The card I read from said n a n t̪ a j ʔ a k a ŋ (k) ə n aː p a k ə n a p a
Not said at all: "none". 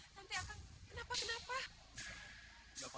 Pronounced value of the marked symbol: k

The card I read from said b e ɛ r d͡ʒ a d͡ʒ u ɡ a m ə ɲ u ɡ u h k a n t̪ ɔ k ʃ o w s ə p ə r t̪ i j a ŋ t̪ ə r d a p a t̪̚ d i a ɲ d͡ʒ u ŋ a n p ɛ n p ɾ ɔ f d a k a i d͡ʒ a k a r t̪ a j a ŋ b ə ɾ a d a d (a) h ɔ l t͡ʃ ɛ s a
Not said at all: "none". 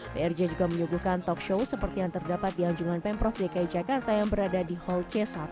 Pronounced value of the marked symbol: i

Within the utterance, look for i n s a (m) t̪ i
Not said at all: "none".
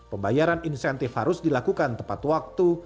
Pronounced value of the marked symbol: n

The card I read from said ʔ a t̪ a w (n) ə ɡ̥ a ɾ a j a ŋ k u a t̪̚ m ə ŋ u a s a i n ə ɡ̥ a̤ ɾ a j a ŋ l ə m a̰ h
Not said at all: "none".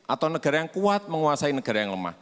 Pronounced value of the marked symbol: n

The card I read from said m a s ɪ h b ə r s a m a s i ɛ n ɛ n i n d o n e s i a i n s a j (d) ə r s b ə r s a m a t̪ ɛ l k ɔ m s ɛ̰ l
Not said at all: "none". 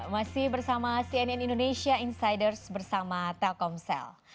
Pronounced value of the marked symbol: d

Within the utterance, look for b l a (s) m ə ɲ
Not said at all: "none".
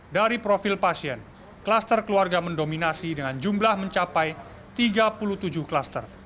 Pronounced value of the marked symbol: h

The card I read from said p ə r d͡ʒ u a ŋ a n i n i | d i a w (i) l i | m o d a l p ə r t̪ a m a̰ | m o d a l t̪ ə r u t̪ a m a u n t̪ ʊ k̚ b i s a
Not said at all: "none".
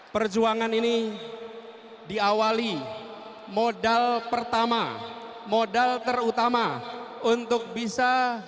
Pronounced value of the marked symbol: a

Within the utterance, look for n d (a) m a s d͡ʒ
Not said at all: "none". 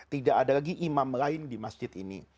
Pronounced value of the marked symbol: i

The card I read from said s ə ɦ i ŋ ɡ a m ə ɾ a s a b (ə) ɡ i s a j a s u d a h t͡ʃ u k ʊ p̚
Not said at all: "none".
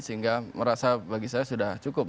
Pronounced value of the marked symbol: a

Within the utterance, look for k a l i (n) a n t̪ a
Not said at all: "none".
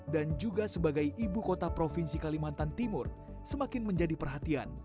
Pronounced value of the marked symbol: m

